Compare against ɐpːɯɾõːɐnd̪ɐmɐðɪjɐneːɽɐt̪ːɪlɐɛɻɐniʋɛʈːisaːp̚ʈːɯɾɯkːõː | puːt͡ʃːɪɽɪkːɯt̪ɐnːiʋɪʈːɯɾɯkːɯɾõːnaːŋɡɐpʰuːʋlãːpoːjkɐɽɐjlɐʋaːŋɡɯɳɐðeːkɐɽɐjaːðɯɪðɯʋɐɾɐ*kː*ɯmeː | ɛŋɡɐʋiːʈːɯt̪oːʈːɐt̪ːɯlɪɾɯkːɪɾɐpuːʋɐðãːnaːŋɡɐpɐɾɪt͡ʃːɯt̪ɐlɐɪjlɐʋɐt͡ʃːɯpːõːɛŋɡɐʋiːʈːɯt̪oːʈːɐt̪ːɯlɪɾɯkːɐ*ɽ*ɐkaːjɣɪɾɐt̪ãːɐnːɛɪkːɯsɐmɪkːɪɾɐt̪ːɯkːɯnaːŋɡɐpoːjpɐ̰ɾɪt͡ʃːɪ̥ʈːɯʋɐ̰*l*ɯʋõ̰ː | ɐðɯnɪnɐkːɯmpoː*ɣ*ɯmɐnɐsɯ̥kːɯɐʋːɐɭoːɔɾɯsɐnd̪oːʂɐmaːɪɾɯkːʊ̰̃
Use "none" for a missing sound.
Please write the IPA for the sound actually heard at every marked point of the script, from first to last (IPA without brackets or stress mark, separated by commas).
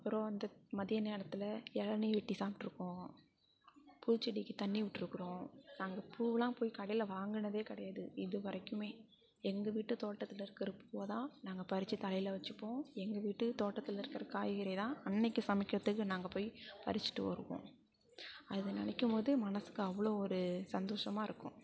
kː, ɾ, ɾ, ð